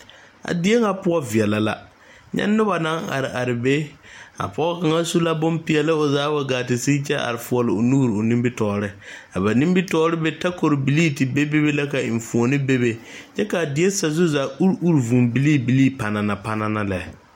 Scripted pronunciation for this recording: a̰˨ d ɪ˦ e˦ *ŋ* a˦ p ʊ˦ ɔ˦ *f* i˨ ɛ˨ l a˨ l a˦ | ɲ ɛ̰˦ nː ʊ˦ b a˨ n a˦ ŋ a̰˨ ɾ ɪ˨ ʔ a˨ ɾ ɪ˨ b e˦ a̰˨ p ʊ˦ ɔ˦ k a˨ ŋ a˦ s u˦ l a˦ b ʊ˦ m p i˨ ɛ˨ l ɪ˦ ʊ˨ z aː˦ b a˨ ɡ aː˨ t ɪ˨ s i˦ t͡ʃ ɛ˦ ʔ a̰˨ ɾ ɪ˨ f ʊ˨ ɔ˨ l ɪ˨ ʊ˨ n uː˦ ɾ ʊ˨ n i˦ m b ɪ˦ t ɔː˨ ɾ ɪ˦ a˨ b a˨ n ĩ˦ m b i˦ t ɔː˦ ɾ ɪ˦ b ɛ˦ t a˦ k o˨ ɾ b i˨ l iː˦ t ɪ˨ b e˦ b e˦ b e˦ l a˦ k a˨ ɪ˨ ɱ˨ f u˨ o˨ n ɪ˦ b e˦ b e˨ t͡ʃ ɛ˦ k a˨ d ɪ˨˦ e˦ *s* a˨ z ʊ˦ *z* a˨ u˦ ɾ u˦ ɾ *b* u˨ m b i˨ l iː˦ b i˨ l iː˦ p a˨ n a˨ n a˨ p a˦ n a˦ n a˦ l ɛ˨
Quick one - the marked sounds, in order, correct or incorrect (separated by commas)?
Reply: correct, incorrect, correct, correct, incorrect